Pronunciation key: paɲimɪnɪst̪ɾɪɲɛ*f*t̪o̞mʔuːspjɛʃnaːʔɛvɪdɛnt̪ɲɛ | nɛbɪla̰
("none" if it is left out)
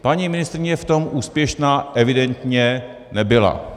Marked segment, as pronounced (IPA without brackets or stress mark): f